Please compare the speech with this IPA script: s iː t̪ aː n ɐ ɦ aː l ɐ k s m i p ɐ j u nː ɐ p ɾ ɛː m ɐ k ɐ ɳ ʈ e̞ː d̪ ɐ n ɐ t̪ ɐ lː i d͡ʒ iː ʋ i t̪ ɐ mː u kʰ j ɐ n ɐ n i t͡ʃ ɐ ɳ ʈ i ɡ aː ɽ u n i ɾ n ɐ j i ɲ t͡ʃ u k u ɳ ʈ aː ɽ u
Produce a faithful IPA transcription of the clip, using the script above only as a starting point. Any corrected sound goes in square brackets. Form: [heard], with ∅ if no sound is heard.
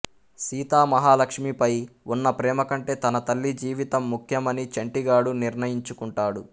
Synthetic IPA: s iː t̪ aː [m] ɐ ɦ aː l ɐ k [ʂ] m i p ɐ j u nː ɐ p ɾ ɛː m ɐ k ɐ ɳ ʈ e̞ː [t̪] ɐ n ɐ t̪ ɐ lː i d͡ʒ iː ʋ i t̪ ɐ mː u kʰ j ɐ [m] ɐ n i t͡ʃ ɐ ɳ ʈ i ɡ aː ɽ u n i ɾ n ɐ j i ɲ t͡ʃ u k u ɳ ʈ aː ɽ u

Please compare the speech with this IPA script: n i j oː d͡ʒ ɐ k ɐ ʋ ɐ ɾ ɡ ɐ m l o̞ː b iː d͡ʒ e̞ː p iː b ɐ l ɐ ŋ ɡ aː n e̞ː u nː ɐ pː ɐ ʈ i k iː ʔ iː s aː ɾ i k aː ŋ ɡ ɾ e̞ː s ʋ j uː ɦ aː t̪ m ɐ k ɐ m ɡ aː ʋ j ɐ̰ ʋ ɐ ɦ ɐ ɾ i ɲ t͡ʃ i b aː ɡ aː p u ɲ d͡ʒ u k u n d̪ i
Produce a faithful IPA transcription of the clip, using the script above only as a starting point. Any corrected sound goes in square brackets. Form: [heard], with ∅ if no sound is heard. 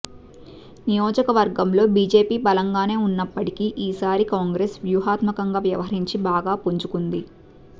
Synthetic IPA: n i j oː d͡ʒ ɐ k ɐ ʋ ɐ ɾ ɡ ɐ m l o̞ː b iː d͡ʒ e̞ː p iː b ɐ l ɐ ŋ ɡ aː n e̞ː u nː ɐ pː ɐ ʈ i k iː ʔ iː s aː ɾ i k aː ŋ ɡ ɾ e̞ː s ʋ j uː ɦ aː t̪ m ɐ k ɐ [ŋ] ɡ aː ʋ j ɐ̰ ʋ ɐ ɦ ɐ ɾ i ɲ t͡ʃ i b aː ɡ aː p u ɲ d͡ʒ u k u n d̪ i

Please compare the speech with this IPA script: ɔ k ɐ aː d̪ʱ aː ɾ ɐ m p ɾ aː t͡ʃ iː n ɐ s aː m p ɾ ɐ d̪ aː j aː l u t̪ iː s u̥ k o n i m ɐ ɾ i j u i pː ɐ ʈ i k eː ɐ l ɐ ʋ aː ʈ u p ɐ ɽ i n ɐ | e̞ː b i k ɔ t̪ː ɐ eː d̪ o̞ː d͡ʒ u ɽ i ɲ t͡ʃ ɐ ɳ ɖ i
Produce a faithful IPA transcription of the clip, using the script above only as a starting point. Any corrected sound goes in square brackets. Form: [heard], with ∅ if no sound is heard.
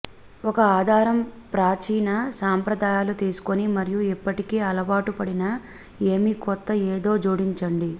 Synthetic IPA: ɔ k ɐ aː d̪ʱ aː ɾ ɐ m p ɾ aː t͡ʃ iː n ɐ s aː m p ɾ ɐ d̪ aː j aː l u t̪ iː s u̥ k o n i m ɐ ɾ i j u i pː ɐ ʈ i k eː ɐ l ɐ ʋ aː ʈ u p ɐ ɽ i n ɐ | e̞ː [m] i k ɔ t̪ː ɐ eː d̪ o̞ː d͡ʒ [uː] ɽ i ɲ t͡ʃ ɐ ɳ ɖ i

